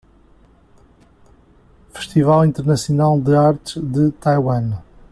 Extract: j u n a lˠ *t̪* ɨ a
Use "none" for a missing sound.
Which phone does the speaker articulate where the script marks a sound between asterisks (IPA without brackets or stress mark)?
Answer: d̪